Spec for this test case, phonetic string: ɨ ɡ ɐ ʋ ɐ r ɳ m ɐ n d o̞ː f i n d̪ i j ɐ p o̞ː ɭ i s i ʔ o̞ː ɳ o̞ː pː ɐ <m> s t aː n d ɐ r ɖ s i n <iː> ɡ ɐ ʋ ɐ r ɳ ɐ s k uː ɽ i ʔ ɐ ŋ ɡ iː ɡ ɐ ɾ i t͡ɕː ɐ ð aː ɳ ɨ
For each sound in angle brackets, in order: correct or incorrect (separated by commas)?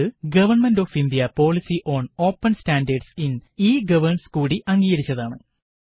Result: incorrect, correct